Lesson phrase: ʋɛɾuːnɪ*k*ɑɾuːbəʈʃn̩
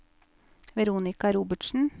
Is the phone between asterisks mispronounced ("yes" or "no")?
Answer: no